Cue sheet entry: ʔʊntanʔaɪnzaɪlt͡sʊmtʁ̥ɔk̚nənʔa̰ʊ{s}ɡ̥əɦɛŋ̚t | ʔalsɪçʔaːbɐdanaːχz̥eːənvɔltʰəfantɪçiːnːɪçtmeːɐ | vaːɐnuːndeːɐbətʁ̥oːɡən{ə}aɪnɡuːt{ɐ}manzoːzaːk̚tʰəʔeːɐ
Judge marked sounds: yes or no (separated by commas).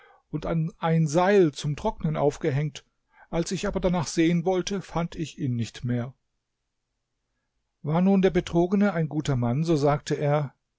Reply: no, yes, yes